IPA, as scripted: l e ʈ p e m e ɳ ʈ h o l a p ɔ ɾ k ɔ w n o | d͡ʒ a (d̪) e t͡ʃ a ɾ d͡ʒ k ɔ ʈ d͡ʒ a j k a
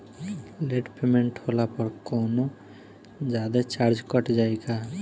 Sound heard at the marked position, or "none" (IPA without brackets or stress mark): d̪